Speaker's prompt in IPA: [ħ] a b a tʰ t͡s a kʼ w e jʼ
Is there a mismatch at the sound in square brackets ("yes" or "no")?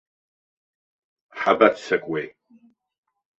no